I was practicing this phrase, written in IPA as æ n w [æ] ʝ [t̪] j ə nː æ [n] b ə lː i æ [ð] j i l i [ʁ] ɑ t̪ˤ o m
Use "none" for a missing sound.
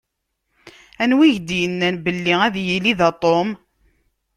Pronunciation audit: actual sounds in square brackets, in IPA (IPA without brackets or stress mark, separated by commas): i, d̪, n, ð, ð